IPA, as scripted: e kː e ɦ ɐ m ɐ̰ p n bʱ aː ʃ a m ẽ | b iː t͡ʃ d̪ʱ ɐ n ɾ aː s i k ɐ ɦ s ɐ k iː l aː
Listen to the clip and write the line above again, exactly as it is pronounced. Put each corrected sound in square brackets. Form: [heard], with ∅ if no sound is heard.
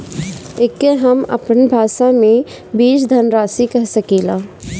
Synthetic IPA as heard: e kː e ɦ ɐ m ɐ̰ p n bʱ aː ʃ a m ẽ | b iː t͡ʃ d̪ʱ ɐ n ɾ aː s i k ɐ ɦ s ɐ k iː l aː